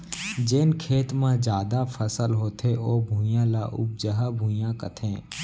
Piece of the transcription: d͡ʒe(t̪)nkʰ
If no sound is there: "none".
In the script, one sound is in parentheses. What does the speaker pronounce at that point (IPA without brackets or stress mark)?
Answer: none